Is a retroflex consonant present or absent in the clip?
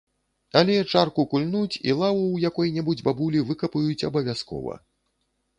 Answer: present